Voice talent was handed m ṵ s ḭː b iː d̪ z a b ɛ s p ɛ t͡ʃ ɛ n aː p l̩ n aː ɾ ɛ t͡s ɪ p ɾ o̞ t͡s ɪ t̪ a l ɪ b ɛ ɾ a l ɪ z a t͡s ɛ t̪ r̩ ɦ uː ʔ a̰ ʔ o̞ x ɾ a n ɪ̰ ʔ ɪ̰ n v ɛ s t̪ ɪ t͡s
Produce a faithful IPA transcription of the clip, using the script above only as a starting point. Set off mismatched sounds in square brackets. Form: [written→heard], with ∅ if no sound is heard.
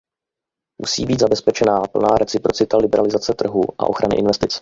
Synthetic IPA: m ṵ s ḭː b iː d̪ z a b ɛ s p ɛ t͡ʃ ɛ n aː p l̩ n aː ɾ ɛ t͡s ɪ p ɾ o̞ t͡s ɪ t̪ a l ɪ b ɛ ɾ a l ɪ z a t͡s ɛ t̪ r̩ ɦ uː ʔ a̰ ʔ o̞ x ɾ a n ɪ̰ ʔ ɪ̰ n v ɛ s t̪ ɪ t͡s